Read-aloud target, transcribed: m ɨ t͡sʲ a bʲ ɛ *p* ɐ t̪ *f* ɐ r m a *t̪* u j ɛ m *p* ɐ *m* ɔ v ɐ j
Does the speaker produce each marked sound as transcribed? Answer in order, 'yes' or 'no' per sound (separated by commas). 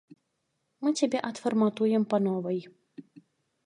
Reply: no, yes, yes, yes, no